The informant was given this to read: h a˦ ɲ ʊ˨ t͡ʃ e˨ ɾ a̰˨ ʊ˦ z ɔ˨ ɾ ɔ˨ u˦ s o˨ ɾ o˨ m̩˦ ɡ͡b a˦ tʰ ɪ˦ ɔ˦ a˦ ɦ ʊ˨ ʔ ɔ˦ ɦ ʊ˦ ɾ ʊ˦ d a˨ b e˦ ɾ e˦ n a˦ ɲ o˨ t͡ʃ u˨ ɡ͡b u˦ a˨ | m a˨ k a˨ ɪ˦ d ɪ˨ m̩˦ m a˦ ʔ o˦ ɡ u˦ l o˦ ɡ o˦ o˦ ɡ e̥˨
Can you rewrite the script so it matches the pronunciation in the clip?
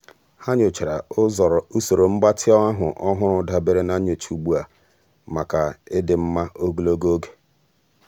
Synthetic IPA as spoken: h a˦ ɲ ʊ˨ t͡ʃ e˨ ɾ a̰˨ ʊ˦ z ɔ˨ ɾ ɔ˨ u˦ s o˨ ɾ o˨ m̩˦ ɡ͡b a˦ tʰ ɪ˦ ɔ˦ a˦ ɦ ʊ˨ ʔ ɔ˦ ɦ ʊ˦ ɾ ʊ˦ d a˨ b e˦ ɾ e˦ n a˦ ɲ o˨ t͡ʃ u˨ ɡ͡b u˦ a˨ | m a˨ k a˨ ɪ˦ d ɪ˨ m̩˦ m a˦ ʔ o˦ ɡ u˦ l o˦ ɡ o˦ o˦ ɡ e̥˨